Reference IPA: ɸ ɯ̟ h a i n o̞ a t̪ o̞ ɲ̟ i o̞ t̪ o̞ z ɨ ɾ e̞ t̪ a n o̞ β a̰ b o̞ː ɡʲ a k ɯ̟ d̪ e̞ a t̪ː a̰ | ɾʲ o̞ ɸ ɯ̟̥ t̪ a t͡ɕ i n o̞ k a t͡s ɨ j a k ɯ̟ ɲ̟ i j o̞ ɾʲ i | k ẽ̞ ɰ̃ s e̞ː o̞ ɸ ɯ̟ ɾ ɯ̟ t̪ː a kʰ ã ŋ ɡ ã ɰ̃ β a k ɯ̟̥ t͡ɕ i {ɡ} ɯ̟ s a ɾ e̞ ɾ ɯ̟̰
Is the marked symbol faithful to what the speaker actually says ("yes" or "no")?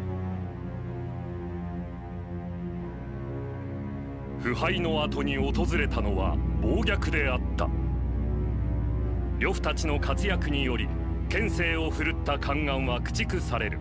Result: no